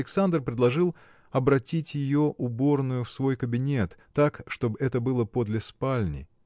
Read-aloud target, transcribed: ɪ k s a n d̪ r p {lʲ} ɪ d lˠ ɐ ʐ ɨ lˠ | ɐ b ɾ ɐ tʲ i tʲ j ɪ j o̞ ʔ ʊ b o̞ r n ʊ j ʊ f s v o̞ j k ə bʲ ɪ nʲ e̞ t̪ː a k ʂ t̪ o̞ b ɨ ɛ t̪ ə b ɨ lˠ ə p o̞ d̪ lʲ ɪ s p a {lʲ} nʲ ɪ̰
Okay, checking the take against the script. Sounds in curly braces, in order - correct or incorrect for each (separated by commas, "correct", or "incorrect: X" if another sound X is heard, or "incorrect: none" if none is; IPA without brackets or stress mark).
incorrect: ɾʲ, correct